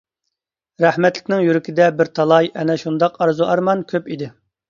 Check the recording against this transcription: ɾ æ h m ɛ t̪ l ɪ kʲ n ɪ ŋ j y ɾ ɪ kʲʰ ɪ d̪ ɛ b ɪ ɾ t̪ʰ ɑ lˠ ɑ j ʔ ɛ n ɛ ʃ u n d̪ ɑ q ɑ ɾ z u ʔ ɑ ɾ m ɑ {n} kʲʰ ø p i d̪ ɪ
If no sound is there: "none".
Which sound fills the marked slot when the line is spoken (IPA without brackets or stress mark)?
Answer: n